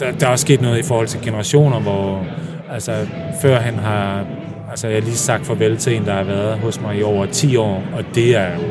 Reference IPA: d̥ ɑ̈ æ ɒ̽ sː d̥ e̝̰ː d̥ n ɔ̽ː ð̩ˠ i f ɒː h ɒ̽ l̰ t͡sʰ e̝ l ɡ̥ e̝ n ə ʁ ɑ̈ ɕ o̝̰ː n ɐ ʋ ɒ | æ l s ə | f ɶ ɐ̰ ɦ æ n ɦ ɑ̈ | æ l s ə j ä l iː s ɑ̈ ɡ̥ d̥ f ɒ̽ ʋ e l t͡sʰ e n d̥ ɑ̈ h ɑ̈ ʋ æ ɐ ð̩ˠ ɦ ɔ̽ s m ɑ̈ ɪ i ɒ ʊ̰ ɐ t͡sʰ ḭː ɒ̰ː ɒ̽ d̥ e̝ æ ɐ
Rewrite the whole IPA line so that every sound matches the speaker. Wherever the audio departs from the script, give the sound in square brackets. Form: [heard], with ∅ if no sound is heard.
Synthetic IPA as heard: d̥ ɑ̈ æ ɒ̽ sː [ɡ̥] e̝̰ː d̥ n ɔ̽ː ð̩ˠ i f ɒː h ɒ̽ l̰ t͡sʰ e̝ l ɡ̥ e̝ n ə ʁ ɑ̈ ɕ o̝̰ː n ɐ ʋ ɒ | æ l s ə | f ɶ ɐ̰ ɦ æ n ɦ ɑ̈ | æ l s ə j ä l iː s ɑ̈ ɡ̥ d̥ f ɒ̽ ʋ e l t͡sʰ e n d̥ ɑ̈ h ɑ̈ ʋ æ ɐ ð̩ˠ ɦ ɔ̽ s m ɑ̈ ɪ i ɒ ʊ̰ ɐ t͡sʰ ḭː ɒ̰ː ɒ̽ d̥ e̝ æ ɐ